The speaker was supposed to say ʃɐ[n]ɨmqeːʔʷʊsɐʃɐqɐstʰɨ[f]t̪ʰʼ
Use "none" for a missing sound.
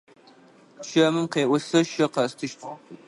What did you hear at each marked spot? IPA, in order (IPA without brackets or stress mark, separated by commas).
m, ʃ